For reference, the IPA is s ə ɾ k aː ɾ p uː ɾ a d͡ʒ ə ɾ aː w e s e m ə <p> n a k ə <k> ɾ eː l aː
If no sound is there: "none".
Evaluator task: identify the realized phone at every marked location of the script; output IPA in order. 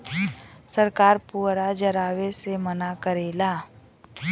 none, none

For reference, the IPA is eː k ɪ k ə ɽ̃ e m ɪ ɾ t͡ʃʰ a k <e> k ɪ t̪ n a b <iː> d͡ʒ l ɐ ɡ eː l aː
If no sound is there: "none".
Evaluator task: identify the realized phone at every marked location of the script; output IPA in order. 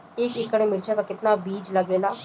a, iː

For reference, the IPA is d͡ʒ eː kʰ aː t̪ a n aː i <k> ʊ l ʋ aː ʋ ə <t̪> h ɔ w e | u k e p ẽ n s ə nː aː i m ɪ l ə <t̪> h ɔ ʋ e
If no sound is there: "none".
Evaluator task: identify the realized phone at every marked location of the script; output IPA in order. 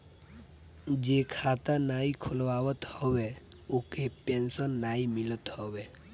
kʰ, t̪, t̪

